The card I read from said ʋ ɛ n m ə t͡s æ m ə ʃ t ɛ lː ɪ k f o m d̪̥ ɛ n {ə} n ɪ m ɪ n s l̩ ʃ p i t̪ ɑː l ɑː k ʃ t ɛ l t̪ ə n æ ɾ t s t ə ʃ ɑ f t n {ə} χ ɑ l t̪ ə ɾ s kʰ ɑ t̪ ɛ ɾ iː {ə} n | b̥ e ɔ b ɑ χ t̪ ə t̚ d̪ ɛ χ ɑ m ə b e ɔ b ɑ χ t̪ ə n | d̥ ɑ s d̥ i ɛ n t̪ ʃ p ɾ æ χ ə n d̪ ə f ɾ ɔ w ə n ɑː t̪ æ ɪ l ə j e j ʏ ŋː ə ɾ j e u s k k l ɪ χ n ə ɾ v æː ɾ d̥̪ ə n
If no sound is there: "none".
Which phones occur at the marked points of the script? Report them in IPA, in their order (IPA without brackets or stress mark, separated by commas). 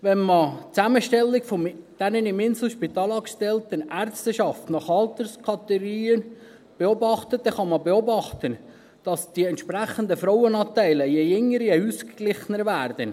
ə, ɑ, ə